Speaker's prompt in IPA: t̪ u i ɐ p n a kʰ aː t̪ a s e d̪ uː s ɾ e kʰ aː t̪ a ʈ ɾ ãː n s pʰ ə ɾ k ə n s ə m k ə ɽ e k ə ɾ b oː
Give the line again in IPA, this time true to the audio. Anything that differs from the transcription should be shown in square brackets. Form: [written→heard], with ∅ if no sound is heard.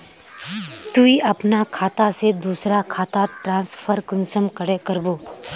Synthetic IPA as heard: t̪ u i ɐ p n a kʰ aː t̪ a s e d̪ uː s ɾ [e→a] kʰ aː t̪ a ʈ ɾ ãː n s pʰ ə ɾ k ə n s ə m k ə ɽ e k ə ɾ b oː